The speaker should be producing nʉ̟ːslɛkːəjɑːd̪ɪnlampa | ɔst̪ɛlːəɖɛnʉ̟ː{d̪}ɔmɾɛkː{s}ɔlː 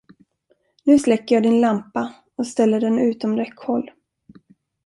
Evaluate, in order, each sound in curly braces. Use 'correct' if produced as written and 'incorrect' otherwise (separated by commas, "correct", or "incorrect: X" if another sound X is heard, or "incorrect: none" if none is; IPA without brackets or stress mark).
incorrect: t̪, incorrect: h